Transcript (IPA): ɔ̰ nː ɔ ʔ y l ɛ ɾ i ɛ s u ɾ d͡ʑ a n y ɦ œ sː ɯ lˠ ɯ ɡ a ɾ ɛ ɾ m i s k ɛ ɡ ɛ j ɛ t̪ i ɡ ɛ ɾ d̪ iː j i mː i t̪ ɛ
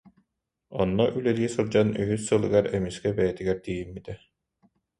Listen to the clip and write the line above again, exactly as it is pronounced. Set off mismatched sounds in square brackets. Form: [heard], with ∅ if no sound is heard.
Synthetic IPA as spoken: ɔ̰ nː ɔ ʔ y l ɛ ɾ i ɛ s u ɾ d͡ʑ a n y ɦ [y] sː ɯ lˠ ɯ ɡ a ɾ ɛ [∅] m i s k ɛ [b] ɛ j ɛ t̪ i ɡ ɛ ɾ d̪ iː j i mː i t̪ ɛ